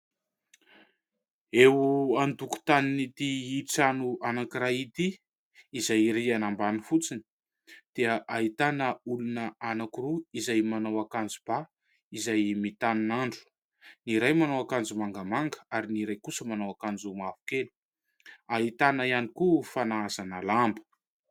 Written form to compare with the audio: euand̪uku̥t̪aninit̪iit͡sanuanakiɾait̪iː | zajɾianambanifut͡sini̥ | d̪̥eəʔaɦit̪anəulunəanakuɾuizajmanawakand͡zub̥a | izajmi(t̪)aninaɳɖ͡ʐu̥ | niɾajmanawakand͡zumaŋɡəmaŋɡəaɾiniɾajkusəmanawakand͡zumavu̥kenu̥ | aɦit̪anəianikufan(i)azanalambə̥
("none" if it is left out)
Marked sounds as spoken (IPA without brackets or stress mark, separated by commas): t̪, a